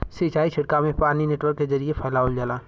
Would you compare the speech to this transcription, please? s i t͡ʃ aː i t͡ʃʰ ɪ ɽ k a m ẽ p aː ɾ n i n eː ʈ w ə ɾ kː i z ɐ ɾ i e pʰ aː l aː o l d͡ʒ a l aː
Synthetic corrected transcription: s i t͡ʃ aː i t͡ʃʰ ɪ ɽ k a m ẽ p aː ɾ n i n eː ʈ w ə ɾ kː e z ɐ ɾ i e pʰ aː l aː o l d͡ʒ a l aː